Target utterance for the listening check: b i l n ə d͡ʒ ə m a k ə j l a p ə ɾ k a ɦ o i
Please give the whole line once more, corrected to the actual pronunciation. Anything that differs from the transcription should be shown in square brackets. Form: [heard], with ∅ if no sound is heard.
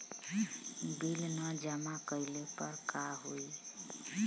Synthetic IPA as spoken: b i l n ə d͡ʒ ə m a k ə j l [e] p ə ɾ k a ɦ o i